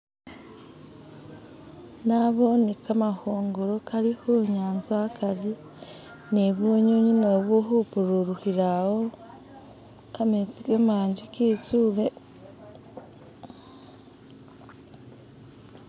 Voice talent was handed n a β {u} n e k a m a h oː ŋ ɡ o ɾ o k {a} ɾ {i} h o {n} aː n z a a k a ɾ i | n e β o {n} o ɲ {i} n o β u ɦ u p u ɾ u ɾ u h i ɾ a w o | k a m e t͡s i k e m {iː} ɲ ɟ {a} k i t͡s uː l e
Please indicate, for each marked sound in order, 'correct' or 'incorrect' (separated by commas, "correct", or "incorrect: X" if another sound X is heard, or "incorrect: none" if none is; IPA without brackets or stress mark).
incorrect: o, correct, correct, incorrect: ɲ, incorrect: ɲ, correct, incorrect: aː, incorrect: i